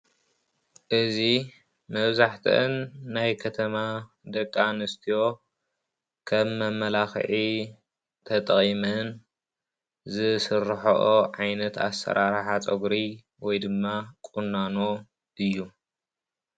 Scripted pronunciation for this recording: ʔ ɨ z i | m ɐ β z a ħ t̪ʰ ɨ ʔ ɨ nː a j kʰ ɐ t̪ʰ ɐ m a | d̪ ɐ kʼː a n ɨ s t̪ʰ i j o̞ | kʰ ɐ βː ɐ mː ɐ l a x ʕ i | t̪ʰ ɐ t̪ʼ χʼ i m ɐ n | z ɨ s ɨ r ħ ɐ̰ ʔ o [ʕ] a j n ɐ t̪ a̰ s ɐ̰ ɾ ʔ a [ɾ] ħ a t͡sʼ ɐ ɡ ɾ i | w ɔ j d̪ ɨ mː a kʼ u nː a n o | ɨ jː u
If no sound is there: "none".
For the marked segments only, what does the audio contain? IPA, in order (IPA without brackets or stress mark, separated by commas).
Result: ʕ, ɾ